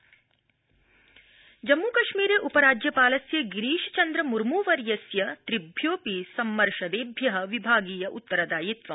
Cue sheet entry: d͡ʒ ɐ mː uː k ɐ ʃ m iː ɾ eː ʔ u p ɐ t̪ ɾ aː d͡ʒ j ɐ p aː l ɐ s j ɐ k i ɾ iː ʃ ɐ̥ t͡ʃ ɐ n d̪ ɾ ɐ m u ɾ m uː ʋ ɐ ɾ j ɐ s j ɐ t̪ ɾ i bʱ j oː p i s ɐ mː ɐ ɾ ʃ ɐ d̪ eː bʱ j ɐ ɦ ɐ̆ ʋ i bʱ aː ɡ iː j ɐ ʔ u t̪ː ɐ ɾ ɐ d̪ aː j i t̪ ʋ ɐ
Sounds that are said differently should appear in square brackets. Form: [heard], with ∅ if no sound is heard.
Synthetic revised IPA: d͡ʒ ɐ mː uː k ɐ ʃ m iː ɾ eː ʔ u p ɐ [∅] ɾ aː d͡ʒ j ɐ p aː l ɐ s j ɐ [ɡ] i ɾ iː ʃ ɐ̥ t͡ʃ ɐ n d̪ ɾ ɐ m u ɾ m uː ʋ ɐ ɾ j ɐ s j ɐ t̪ ɾ i bʱ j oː p i s ɐ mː ɐ ɾ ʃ ɐ d̪ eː bʱ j ɐ ɦ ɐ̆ ʋ i bʱ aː ɡ iː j ɐ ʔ u t̪ː ɐ ɾ ɐ d̪ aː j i t̪ ʋ ɐ